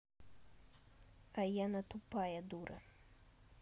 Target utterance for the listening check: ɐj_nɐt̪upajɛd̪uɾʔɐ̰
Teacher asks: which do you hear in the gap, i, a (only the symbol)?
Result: a